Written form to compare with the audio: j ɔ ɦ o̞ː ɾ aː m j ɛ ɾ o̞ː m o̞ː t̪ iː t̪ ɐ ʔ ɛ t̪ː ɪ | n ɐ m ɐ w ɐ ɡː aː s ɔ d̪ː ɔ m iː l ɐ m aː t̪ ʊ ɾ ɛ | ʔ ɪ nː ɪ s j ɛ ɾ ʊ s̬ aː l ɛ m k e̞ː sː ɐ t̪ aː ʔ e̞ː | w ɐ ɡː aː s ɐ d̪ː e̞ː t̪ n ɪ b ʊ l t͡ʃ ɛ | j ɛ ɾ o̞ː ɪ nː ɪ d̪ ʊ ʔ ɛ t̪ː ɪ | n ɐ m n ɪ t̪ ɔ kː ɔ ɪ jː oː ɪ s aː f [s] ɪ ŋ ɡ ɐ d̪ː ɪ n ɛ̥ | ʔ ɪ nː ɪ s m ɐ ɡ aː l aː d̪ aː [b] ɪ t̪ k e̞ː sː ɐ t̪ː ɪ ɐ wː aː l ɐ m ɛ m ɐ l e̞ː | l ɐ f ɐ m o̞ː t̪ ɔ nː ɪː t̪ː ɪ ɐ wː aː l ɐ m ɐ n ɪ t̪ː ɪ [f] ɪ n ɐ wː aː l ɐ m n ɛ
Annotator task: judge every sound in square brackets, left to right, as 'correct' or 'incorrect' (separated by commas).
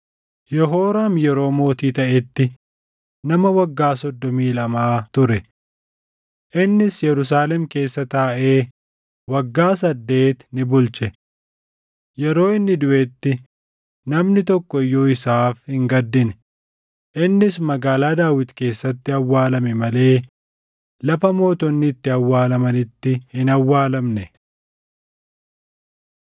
incorrect, incorrect, incorrect